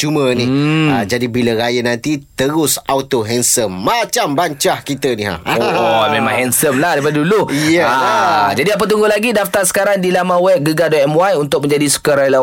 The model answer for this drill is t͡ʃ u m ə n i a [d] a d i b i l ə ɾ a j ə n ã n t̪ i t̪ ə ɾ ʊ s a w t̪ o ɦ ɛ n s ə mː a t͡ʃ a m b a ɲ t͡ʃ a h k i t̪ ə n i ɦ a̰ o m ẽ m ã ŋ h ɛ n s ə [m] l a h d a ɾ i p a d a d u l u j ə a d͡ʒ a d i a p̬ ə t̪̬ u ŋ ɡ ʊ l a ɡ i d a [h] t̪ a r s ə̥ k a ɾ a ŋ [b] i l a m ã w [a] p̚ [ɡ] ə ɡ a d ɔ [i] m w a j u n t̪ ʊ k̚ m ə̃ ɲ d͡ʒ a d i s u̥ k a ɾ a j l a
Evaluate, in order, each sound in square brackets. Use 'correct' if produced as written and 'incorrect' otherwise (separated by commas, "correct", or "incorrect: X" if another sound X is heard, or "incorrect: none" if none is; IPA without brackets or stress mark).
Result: incorrect: d͡ʒ, correct, incorrect: f, incorrect: d, incorrect: ɛ, correct, incorrect: ɛ